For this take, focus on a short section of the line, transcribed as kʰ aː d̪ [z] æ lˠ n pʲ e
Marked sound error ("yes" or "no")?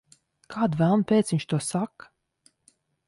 yes